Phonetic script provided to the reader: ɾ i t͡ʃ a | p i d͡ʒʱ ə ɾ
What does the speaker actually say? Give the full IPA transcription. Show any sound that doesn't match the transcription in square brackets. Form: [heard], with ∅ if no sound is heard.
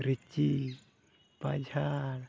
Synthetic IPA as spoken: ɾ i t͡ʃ [i] | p [a] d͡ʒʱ [a] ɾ

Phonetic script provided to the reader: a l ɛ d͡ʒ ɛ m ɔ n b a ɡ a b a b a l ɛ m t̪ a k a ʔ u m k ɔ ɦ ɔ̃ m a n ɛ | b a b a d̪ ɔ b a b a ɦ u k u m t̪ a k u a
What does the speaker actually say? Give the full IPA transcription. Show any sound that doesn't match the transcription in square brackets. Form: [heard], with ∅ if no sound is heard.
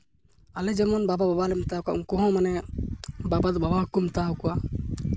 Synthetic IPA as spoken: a l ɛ d͡ʒ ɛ m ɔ n b a [b] a b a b a l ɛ m t̪ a k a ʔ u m k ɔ ɦ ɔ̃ m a n ɛ | b a b a d̪ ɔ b a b a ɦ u k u m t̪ a k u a

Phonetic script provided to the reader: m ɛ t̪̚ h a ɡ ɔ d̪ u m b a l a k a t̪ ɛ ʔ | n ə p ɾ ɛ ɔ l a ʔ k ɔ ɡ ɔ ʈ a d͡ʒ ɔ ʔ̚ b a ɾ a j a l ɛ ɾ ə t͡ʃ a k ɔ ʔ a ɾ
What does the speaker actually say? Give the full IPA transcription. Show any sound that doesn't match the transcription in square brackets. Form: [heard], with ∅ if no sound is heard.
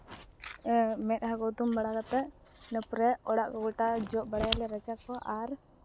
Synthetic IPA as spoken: m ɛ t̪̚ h a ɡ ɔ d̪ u m b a [ɽ] a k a t̪ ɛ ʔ | n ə p ɾ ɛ ɔ [ɽ] a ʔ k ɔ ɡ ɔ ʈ a d͡ʒ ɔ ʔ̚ b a [ɽ] a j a l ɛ ɾ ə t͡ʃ a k ɔ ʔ a ɾ

